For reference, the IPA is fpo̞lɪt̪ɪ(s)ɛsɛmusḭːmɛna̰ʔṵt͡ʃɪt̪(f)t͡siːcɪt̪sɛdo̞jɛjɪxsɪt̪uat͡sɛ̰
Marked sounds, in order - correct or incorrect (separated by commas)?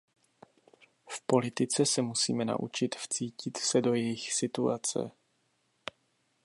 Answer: incorrect, correct